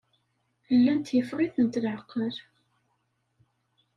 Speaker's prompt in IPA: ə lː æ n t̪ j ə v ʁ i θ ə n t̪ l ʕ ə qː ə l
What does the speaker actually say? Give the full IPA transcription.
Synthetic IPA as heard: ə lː æ n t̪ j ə f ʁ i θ ə n t̪ l ʕ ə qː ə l